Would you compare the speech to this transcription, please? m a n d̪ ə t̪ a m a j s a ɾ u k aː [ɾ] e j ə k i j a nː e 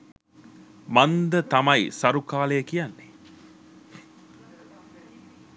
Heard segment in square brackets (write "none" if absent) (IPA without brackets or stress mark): l